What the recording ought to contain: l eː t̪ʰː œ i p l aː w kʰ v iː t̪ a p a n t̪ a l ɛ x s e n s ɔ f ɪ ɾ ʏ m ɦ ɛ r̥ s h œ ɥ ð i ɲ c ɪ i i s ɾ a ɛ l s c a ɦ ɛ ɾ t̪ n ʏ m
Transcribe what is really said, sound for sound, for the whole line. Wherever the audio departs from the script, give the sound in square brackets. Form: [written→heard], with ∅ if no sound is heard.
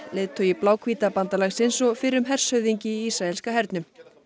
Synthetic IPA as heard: l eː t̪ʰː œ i p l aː w kʰ v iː t̪ a p a n t̪ a l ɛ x s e n s ɔ f ɪ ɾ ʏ m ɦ ɛ r̥ s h œ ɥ ð i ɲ c ɪ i i s ɾ a ɛ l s [c→k] a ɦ ɛ ɾ t̪ n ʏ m